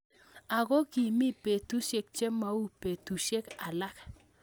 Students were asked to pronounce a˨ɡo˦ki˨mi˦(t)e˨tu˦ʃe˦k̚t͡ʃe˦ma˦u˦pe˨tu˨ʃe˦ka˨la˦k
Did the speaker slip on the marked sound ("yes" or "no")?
yes